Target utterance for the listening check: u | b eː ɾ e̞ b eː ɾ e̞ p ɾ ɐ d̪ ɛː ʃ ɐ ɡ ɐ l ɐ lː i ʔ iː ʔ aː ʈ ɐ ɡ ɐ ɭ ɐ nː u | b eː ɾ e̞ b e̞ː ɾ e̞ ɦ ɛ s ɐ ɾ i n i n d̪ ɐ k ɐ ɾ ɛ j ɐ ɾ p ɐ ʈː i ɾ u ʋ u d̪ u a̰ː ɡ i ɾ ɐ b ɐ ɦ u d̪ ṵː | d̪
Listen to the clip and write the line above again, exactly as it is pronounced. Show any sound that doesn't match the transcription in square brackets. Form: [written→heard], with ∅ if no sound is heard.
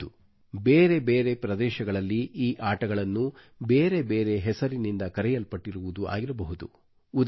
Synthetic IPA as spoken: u | b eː ɾ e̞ b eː ɾ e̞ p ɾ ɐ d̪ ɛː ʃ ɐ ɡ ɐ [l→ɭ] ɐ lː i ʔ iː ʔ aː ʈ ɐ ɡ ɐ ɭ ɐ nː u | b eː ɾ e̞ b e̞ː ɾ e̞ ɦ ɛ s ɐ ɾ i n i n d̪ ɐ k ɐ ɾ ɛ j ɐ [ɾ→l] p ɐ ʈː i ɾ u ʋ u d̪ u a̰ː ɡ i ɾ ɐ b ɐ ɦ u d̪ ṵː | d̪